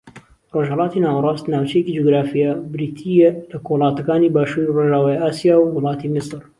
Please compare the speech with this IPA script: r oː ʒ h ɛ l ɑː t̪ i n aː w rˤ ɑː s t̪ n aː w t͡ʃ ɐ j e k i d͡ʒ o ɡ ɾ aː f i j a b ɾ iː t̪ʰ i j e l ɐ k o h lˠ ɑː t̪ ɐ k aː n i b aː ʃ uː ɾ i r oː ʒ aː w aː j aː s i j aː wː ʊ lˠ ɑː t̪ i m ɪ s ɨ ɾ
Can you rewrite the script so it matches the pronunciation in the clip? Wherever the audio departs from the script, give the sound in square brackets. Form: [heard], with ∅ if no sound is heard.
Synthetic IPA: r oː ʒ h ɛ l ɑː t̪ i n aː w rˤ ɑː s t̪ n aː w t͡ʃ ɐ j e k i d͡ʒ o ɡ ɾ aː f i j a b ɾ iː t̪ʰ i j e l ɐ k o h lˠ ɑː t̪ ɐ k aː n i b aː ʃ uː ɾ i r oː ʒ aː w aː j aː s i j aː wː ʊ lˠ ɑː t̪ i m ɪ s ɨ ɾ